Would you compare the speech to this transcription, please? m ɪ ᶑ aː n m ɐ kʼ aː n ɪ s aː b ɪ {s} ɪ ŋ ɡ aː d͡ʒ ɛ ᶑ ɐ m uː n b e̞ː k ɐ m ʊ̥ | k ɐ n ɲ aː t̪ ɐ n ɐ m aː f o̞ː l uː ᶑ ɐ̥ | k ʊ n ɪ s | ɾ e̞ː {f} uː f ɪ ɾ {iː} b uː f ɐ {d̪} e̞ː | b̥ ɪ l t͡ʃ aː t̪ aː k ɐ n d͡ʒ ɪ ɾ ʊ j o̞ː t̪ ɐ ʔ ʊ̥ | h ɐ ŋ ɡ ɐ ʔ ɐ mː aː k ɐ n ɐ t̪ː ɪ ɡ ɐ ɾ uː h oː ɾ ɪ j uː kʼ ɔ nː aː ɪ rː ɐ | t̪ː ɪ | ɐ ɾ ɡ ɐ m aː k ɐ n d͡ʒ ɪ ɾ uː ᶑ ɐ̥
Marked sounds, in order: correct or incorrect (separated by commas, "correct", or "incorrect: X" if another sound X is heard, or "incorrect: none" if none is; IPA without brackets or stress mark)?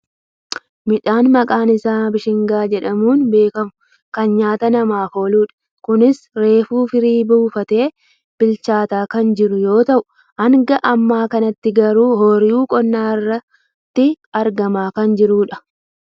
incorrect: ʃ, correct, correct, incorrect: t̪